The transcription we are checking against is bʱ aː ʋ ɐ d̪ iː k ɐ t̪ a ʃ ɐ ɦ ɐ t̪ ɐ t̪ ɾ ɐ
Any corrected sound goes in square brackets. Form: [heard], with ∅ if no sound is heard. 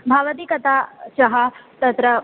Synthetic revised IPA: bʱ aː ʋ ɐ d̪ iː k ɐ t̪ a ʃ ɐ ɦ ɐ t̪ ɐ t̪ ɾ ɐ